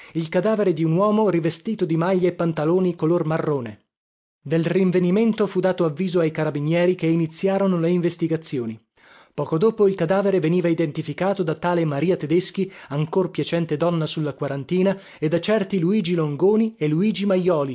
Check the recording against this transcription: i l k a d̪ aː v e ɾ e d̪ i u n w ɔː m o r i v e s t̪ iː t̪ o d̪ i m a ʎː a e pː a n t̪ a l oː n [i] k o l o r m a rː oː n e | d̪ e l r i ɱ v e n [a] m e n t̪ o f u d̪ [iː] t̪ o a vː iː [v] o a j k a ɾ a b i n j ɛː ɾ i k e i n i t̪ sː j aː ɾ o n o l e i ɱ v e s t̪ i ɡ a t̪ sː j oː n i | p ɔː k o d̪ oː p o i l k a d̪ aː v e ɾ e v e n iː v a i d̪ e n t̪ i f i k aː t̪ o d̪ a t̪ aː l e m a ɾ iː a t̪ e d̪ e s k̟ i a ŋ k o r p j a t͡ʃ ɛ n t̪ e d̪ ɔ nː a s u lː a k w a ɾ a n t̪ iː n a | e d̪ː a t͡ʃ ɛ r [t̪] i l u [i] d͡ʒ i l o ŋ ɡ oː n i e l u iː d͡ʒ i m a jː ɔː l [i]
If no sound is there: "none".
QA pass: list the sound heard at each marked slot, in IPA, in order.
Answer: i, i, aː, z, t̪, iː, i

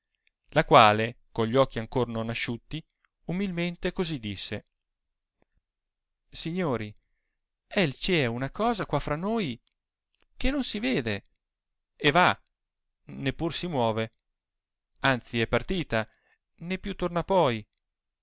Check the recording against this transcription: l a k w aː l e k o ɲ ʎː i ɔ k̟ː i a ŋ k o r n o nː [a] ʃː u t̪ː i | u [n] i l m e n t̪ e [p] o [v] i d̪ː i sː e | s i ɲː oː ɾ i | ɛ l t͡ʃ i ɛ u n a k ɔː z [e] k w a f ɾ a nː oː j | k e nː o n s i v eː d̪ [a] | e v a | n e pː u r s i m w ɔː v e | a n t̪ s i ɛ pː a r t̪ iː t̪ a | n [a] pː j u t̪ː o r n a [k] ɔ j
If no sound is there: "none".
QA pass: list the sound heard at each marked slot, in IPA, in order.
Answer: a, m, k, z, a, e, e, p

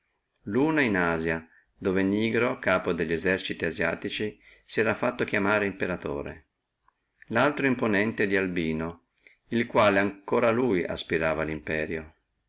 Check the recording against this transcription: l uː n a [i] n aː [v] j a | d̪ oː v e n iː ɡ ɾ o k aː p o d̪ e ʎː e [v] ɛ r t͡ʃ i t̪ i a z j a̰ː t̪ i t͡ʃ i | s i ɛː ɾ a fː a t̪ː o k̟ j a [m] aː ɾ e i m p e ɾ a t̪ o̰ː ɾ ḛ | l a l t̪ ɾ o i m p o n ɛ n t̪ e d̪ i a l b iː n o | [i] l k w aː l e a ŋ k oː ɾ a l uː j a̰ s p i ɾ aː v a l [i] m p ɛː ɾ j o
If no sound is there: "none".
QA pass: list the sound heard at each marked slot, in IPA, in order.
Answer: i, z, z, m, i, i

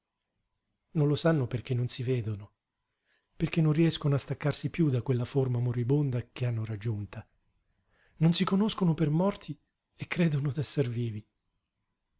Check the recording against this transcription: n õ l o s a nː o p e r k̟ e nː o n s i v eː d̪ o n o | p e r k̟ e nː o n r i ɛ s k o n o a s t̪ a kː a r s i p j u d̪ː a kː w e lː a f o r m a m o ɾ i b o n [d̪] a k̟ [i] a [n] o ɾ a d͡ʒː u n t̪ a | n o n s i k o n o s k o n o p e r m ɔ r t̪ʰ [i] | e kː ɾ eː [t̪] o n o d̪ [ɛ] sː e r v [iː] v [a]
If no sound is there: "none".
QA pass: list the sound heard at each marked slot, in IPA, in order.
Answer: d̪, e, nː, i, d̪, ɛ, iː, i

